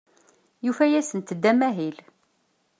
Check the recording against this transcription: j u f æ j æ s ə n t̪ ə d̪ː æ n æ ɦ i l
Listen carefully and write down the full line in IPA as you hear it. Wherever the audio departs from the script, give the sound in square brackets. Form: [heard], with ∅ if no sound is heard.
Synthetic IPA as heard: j u f æ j æ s ə n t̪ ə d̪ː æ [m] æ ɦ i l